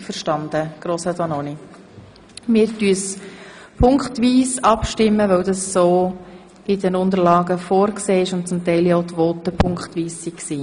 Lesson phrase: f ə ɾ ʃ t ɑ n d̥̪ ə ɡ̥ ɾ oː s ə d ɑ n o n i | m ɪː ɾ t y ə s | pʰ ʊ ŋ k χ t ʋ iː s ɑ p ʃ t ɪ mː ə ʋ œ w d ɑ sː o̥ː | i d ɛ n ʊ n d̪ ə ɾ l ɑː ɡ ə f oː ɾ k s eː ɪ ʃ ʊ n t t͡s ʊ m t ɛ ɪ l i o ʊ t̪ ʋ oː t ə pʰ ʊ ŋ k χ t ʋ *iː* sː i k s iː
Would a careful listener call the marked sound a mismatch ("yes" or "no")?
no